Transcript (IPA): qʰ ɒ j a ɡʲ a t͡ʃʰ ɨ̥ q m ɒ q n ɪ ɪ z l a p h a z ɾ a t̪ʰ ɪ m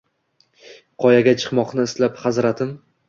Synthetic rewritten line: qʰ ɒ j a ɡʲ a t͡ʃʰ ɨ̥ q m ɒ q n ɪ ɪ s l a p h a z ɾ a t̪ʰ ɪ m